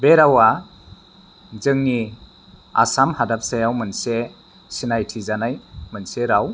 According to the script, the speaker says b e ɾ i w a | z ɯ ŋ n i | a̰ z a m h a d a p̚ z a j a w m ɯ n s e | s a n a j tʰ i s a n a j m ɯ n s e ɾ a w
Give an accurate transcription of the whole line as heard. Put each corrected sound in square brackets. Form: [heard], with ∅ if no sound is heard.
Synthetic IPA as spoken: b e ɾ [a] w a | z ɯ ŋ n i | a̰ [s] a m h a d a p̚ [s] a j a w m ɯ n s e | s [i] n a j tʰ i [z] a n a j m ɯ n s e ɾ a w